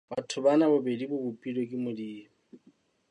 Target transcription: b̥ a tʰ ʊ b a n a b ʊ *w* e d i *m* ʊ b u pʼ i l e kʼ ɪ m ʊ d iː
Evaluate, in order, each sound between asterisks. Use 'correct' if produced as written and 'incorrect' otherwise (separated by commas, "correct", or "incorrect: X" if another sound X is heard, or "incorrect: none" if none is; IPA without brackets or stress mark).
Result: incorrect: b, incorrect: b